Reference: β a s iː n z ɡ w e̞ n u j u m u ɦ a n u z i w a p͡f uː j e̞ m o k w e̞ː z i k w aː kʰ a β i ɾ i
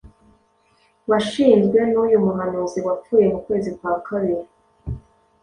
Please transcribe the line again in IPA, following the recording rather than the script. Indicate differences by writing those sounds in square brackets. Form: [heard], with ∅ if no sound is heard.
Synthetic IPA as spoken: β a [ʃ] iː n z ɡ w e̞ n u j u m u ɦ a n u z i w a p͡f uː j e̞ m [u] k w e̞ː z i k w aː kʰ a β i ɾ i